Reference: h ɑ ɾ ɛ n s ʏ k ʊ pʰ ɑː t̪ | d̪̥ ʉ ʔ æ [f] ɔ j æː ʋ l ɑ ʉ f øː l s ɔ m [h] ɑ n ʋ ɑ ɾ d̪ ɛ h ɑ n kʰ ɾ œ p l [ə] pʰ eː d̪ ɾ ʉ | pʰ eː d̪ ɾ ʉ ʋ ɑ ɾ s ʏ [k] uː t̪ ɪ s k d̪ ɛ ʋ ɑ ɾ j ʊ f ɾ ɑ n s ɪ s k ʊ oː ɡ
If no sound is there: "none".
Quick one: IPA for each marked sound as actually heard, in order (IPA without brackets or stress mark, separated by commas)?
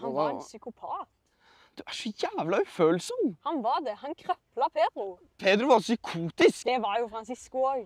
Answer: ʂ, h, ɑ, kʰ